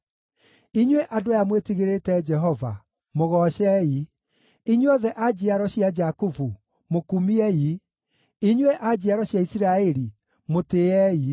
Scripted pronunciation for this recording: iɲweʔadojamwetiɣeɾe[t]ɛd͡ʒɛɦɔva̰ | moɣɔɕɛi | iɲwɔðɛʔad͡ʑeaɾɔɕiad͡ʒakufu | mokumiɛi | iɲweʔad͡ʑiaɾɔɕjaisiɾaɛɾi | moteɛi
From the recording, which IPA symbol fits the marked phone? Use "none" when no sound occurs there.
t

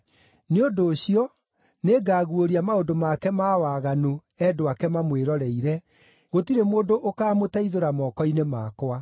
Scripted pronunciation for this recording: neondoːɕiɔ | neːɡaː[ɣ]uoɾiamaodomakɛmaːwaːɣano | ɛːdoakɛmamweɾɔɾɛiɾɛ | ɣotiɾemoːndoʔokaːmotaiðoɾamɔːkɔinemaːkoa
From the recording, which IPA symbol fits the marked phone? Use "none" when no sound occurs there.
ɣ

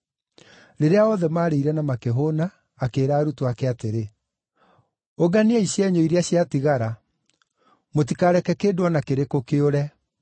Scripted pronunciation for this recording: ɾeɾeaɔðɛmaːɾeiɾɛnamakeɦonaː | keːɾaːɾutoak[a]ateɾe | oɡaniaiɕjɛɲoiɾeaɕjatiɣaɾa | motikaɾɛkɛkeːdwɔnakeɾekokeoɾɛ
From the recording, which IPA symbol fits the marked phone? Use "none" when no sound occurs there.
ɛ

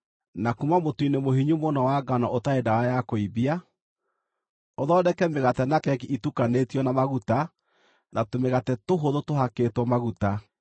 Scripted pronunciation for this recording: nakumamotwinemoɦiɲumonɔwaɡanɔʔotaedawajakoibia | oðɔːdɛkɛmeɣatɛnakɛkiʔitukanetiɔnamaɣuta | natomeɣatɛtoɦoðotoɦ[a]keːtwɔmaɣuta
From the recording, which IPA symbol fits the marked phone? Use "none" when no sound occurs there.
a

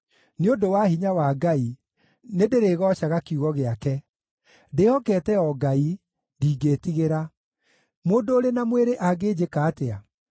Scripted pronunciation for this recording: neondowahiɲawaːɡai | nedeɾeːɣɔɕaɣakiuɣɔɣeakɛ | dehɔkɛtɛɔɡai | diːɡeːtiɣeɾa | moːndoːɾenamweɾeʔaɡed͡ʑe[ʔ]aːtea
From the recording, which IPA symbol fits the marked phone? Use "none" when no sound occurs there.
k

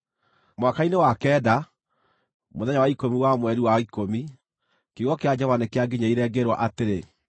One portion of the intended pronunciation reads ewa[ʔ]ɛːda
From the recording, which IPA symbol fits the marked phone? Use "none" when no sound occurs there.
k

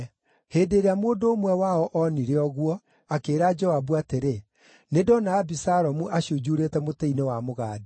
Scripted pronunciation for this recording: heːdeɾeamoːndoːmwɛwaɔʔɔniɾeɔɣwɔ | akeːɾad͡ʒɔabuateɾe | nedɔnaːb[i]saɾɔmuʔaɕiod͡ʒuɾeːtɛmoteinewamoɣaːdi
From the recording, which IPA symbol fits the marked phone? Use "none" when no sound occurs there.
i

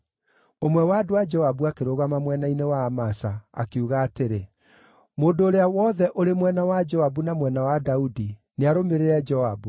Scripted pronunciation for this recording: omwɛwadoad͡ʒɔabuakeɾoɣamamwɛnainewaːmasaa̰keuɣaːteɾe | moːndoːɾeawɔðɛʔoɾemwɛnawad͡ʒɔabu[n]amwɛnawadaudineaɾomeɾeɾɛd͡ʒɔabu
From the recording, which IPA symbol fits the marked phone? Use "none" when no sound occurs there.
n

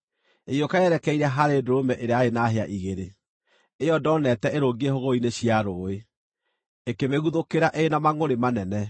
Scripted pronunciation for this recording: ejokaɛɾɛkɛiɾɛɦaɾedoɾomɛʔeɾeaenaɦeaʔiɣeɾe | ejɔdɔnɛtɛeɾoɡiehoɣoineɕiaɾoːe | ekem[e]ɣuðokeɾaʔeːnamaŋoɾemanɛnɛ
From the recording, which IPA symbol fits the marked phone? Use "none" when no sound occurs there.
e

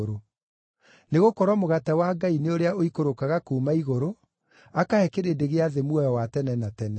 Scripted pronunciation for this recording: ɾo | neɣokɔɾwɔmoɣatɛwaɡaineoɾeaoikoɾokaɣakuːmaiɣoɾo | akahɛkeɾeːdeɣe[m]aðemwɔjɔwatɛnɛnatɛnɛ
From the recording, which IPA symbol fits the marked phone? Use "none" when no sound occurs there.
none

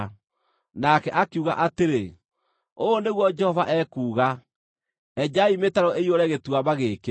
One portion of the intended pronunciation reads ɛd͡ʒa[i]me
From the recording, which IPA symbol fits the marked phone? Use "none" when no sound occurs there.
i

